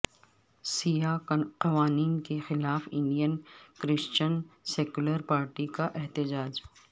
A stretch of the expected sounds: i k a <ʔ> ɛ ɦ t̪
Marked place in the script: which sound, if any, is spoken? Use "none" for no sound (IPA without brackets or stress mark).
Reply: ʔ